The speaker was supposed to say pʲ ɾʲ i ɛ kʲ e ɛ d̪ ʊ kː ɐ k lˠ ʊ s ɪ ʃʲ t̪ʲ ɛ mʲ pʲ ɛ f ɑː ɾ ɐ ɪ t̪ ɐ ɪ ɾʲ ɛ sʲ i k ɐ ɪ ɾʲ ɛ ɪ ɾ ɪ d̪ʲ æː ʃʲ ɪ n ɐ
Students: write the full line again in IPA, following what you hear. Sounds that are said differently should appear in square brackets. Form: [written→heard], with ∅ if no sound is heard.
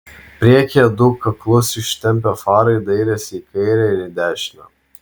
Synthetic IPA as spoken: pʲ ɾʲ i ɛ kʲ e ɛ d̪ ʊ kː ɐ k lˠ ʊ s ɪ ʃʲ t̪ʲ ɛ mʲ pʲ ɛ f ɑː ɾ ɐ ɪ [t̪→d̪] ɐ ɪ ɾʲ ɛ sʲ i k ɐ ɪ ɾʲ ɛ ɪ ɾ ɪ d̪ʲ æː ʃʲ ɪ n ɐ